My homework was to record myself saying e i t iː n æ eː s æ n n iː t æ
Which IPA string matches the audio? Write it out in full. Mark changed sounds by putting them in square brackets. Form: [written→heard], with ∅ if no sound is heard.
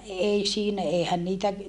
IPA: e i [t→s] iː n æ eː [s→h] æ n n iː t æ